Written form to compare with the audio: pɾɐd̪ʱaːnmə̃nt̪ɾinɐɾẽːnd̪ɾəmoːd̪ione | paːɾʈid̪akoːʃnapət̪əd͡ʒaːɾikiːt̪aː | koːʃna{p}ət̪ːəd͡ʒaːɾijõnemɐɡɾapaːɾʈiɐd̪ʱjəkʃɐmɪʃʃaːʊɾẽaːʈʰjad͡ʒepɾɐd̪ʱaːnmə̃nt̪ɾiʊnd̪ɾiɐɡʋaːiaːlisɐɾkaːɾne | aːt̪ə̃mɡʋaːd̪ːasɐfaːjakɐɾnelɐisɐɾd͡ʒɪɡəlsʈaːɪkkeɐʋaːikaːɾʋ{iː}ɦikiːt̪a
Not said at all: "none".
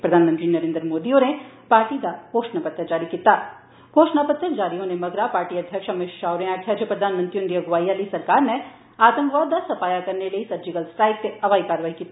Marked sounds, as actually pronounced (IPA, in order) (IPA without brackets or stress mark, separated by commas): p, aː